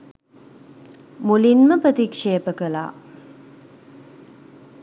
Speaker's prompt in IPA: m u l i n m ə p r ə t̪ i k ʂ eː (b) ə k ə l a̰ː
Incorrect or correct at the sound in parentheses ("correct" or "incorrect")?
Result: incorrect